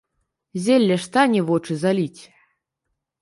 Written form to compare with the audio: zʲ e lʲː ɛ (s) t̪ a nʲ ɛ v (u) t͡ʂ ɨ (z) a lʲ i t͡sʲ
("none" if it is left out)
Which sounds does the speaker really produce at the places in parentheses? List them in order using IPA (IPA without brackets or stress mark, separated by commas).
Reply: ʂ, ɔ, z